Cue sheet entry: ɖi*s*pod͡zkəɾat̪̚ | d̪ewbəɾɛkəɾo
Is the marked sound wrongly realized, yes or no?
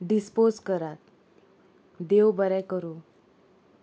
no